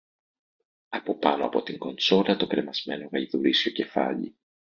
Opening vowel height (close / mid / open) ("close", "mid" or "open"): open